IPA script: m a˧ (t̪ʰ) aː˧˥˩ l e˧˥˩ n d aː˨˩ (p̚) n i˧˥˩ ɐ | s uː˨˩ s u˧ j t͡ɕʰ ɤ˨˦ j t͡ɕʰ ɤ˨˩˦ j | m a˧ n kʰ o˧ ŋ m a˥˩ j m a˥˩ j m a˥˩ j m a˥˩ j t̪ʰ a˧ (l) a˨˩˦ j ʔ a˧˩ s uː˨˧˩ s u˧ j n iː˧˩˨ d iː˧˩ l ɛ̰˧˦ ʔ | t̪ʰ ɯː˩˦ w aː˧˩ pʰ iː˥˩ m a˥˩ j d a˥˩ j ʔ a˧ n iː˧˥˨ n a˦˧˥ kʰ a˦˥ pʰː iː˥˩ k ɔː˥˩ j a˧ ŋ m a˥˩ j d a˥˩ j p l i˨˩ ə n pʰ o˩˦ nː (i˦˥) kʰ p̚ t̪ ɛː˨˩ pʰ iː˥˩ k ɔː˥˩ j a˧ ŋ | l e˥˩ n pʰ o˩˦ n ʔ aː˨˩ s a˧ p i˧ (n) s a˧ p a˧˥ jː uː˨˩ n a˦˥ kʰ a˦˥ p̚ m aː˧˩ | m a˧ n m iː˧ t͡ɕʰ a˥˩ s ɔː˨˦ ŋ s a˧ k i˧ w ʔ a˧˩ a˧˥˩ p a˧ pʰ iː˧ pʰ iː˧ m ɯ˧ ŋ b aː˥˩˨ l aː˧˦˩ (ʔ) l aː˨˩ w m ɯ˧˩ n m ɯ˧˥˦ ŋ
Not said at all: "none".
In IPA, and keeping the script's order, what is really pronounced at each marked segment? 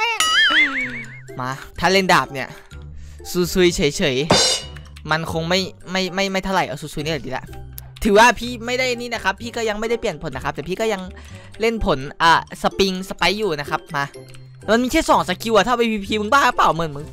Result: t̪ʰ, p̚, l, a˦˥, ŋ, p

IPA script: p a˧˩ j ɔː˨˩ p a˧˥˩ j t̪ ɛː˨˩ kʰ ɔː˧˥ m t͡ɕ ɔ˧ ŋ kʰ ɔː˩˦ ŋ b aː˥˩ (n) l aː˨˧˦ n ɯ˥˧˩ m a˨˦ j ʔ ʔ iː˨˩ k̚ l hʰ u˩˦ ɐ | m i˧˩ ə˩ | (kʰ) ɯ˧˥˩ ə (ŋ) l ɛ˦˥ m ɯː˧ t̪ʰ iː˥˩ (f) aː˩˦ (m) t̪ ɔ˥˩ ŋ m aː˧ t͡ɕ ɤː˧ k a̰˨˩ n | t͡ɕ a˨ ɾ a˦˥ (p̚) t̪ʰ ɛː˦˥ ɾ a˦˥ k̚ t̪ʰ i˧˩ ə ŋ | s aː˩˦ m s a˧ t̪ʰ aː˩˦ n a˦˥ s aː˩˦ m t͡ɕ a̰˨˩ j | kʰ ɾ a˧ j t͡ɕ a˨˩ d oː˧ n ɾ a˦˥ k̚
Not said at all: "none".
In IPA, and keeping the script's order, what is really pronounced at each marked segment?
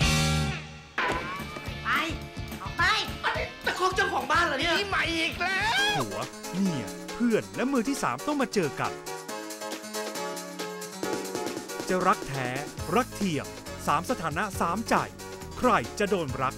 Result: n, pʰ, n, s, m, k̚

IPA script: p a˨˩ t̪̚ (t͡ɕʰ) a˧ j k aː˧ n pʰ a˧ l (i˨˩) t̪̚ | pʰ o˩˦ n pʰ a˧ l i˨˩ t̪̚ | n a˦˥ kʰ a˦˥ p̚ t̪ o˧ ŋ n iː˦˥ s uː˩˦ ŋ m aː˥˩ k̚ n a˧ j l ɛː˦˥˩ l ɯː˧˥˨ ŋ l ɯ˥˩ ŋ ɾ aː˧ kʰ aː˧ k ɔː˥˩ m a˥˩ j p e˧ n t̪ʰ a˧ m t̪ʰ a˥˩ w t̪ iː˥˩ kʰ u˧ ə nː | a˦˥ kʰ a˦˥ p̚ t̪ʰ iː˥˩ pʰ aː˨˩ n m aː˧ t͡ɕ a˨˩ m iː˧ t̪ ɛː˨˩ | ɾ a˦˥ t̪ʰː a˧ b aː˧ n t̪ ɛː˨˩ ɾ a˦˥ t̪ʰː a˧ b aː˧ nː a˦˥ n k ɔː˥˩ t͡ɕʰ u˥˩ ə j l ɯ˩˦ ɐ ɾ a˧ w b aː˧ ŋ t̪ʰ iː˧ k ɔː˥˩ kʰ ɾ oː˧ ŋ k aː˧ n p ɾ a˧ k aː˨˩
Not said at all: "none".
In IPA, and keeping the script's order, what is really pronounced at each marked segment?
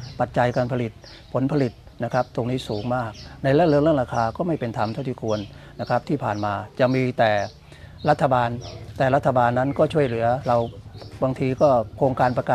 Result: t͡ɕ, i˨˩

